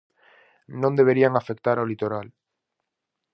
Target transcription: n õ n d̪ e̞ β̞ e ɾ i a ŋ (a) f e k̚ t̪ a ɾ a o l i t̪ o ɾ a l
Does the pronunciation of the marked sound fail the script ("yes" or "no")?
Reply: no